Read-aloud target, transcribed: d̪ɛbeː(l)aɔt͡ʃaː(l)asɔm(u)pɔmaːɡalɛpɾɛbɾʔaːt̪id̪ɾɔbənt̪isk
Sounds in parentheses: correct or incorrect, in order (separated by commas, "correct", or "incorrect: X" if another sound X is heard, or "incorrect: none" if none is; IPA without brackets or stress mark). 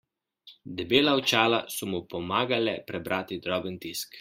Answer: correct, correct, correct